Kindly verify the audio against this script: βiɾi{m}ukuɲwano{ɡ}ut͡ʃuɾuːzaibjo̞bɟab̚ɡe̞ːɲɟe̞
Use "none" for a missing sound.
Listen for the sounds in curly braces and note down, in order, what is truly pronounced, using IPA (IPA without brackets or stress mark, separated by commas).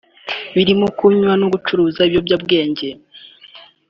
m, ɡ